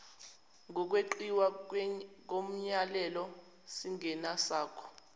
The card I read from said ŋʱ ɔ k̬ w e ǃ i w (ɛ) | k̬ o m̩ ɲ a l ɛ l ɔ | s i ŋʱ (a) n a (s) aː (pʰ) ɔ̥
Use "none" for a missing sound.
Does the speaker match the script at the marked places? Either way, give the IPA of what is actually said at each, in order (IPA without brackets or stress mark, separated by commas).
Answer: a, ɛ, s, kʰ